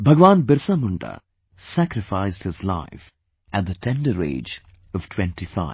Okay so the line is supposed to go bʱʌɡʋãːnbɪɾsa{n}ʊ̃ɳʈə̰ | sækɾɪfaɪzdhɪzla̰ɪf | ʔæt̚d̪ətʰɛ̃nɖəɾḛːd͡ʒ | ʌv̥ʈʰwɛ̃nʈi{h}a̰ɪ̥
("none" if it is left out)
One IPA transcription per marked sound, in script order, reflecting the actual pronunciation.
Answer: m, f

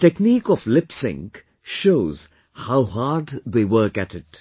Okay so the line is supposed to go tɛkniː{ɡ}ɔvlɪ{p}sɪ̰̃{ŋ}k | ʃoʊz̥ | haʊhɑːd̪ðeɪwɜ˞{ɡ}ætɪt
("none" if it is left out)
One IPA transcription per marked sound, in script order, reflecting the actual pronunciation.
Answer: k, p, ŋ, k

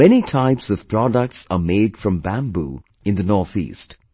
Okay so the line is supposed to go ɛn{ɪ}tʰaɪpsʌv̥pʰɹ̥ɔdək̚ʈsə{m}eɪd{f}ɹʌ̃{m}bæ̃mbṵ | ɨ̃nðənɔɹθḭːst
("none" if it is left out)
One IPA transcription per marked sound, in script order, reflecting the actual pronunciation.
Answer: i, m, f, m

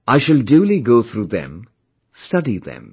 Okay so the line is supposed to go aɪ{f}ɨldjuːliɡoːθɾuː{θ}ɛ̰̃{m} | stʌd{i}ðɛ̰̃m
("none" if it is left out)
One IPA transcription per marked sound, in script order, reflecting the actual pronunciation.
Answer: ʃ, ð, m, i

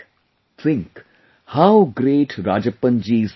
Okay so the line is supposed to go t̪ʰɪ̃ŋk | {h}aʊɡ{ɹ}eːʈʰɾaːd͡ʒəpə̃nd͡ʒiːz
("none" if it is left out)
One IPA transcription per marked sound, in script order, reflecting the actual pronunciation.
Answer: h, ɾ

